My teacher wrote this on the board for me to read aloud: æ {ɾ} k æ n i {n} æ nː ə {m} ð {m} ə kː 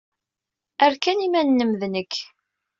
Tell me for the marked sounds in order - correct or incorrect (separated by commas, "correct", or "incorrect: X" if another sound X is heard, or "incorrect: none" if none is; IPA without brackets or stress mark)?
correct, incorrect: m, correct, incorrect: n